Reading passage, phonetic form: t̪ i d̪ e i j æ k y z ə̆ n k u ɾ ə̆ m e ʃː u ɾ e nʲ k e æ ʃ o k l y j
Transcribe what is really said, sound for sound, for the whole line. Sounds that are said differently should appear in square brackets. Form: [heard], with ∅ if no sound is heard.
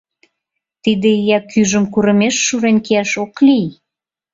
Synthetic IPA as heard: t̪ i d̪ e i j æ k y [ʒ] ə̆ [m] k u ɾ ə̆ m e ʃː u ɾ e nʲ k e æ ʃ o k l [i] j

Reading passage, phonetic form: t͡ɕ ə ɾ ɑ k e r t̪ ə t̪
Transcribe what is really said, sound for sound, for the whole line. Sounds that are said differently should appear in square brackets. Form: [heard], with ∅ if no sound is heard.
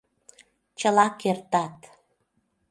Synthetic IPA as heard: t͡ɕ ə [l] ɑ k e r t̪ [ɑ] t̪

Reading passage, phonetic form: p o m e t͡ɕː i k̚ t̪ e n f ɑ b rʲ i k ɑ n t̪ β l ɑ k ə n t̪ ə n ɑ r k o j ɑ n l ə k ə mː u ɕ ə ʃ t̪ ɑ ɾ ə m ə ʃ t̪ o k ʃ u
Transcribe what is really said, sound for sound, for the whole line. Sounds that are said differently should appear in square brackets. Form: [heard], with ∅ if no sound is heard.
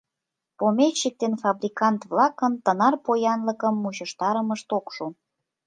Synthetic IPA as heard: p o m e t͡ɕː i k̚ t̪ e n f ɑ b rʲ i k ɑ n t̪ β l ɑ k ə n t̪ ə n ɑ r [p] o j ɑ n l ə k ə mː u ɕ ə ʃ t̪ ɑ ɾ ə m ə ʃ t̪ o k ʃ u

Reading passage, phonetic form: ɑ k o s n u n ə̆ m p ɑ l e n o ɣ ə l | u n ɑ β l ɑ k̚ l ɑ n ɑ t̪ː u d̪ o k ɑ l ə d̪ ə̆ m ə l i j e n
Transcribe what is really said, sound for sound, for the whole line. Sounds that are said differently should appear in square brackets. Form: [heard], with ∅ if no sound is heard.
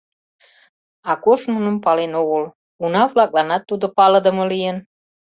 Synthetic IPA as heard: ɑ k o [ʃ] n u n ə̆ m p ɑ l e n o ɣ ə l | u n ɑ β l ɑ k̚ l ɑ n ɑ t̪ː u d̪ o [p] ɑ l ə d̪ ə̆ m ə l i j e n

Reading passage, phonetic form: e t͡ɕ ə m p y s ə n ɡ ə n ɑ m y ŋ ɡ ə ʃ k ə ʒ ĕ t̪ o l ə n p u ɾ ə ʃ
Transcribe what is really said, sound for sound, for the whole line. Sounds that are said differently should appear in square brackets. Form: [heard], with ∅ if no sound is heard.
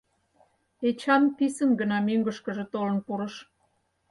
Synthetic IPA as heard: e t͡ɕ [ɑ] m p [i] s ə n ɡ ə n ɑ m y ŋ ɡ ə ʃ k ə ʒ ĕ t̪ o l ə n p u ɾ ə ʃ

